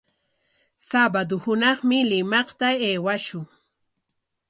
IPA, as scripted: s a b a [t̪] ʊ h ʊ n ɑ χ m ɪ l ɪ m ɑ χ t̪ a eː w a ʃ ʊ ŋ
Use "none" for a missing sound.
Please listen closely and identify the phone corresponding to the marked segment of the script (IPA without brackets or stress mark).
d̪